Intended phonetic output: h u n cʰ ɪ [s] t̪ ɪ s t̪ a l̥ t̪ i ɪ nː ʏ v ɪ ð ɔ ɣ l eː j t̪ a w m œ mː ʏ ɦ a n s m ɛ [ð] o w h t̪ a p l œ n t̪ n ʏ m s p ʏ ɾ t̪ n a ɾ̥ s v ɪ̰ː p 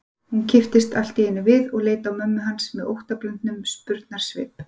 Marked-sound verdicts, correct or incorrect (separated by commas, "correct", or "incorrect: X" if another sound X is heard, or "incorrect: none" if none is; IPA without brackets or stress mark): incorrect: f, correct